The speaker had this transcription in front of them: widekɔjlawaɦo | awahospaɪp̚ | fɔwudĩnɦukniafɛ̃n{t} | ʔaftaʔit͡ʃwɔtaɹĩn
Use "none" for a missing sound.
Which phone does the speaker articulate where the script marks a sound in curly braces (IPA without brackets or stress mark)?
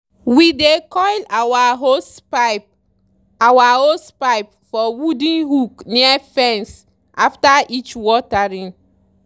s